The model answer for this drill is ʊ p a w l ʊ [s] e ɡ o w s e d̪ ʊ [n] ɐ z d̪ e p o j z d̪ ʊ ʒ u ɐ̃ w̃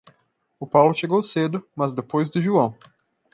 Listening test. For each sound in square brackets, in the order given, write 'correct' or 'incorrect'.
incorrect: ʃ, incorrect: m

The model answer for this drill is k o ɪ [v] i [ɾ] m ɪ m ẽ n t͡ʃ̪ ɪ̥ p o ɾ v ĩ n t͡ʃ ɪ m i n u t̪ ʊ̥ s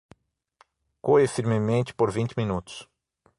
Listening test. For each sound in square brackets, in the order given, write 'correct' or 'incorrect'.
incorrect: f, correct

